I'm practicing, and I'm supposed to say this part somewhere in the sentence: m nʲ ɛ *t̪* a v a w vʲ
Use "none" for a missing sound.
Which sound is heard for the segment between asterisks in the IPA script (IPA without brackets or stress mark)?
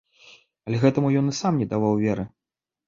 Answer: d̪